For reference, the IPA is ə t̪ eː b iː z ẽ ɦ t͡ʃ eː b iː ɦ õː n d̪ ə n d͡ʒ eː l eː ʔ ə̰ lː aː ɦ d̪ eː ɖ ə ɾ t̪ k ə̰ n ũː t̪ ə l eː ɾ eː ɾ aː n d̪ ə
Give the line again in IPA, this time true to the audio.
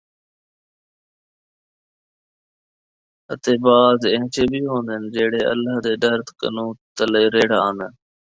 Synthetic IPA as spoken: ə t̪ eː b aː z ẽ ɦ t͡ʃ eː b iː ɦ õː n d̪ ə n d͡ʒ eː ɽ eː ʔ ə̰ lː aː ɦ d̪ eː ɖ ə ɾ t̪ k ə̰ n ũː t̪ ə l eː ɾ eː ɽ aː n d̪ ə